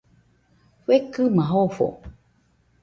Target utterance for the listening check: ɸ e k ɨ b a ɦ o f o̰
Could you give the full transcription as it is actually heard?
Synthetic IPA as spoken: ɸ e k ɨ m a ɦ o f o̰